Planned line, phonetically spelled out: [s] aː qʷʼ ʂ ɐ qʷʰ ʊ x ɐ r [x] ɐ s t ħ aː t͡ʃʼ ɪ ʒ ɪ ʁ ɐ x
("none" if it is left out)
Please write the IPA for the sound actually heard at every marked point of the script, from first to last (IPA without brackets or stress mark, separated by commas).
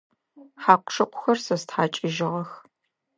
ħ, s